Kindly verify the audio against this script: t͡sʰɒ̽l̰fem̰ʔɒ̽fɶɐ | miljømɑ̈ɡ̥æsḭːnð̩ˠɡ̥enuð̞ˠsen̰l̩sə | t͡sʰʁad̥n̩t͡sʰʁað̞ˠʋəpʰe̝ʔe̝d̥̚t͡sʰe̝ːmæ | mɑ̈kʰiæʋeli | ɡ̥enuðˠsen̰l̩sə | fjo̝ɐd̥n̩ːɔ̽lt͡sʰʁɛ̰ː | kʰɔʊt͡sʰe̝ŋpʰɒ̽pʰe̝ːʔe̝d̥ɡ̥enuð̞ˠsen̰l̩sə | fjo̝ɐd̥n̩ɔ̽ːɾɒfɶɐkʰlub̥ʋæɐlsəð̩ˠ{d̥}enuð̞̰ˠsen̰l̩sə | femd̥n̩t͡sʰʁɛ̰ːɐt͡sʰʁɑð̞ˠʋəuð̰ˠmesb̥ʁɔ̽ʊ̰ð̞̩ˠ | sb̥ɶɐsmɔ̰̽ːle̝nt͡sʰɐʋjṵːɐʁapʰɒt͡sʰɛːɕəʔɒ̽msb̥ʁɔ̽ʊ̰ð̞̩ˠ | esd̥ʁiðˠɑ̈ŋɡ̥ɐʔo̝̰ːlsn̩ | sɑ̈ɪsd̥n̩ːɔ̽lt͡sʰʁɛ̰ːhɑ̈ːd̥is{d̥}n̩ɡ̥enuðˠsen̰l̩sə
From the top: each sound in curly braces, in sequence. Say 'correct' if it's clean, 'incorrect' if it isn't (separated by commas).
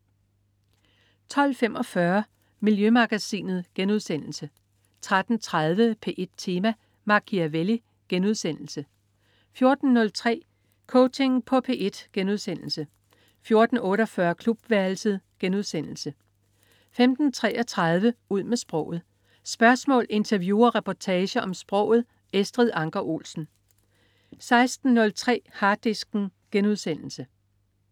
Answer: incorrect, incorrect